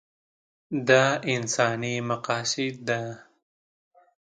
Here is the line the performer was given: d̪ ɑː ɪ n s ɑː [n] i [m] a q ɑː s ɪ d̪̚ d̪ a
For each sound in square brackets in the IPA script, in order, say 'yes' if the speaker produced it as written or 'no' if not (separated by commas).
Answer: yes, yes